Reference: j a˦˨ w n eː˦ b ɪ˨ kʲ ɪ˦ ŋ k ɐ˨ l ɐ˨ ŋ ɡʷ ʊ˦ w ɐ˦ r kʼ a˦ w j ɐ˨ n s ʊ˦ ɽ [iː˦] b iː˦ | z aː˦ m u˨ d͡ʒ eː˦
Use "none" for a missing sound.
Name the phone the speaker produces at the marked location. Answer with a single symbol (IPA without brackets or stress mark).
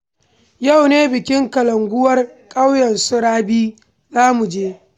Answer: aː˦